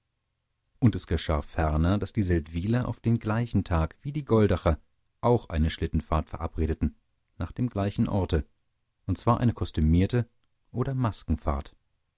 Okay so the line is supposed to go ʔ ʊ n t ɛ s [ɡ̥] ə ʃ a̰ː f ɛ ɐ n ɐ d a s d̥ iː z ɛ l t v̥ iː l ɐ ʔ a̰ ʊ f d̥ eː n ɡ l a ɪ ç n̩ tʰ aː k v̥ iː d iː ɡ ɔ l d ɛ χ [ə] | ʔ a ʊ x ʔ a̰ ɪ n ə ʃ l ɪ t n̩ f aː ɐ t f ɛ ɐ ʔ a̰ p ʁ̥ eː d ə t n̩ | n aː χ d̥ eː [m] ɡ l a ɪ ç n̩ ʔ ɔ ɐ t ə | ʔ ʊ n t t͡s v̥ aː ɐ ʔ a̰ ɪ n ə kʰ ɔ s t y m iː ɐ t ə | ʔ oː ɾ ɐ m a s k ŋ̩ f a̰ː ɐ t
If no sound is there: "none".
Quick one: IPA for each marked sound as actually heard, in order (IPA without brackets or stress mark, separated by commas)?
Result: ɡ̥, ɐ, m